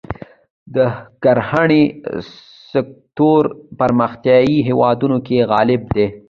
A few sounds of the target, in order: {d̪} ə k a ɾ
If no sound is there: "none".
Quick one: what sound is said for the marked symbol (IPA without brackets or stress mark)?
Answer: d̪